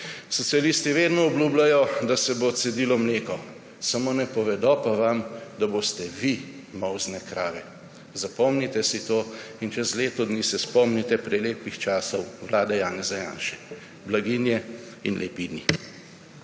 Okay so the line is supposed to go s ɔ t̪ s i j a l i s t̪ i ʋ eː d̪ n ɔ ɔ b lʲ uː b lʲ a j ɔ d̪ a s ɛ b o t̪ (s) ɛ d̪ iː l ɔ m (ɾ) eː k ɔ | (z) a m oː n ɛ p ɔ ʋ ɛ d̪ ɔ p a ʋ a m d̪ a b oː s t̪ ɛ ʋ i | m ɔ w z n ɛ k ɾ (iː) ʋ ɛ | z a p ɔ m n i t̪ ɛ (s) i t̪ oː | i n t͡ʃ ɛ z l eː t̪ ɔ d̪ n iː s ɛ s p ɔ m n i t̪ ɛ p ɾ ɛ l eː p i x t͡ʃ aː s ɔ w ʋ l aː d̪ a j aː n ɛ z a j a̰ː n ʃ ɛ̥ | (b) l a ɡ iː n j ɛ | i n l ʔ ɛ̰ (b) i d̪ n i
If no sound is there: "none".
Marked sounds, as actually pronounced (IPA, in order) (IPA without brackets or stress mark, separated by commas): s, l, s, aː, s, b, p